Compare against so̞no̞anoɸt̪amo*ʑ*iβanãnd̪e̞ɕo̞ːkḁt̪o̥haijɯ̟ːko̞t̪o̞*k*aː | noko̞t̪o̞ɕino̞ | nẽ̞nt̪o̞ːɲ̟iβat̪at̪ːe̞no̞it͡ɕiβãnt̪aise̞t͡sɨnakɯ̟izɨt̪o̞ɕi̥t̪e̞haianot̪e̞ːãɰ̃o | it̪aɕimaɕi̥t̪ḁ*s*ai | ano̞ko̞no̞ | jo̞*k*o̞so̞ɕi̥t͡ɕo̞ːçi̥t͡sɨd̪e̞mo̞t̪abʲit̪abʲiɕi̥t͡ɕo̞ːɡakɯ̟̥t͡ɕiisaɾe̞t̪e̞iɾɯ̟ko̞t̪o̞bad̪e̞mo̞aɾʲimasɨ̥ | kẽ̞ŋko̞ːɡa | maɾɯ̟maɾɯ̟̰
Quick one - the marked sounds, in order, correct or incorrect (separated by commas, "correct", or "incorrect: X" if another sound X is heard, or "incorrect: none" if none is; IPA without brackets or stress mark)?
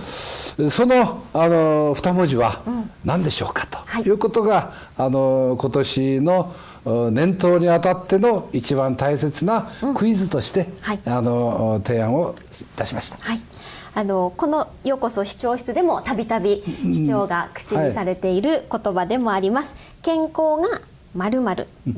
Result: correct, incorrect: ɡ, incorrect: h, correct